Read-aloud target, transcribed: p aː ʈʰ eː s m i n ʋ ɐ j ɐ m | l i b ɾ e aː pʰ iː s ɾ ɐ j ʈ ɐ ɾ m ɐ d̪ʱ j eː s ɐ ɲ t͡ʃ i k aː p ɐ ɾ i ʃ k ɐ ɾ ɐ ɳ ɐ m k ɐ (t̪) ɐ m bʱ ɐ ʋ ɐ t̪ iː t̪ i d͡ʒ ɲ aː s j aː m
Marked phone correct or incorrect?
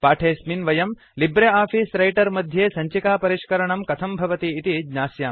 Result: incorrect